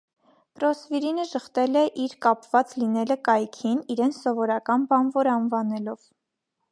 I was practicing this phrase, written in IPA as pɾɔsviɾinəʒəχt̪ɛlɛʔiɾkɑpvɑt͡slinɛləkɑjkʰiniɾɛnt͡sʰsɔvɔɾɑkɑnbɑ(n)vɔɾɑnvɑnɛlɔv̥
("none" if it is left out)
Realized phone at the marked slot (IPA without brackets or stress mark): n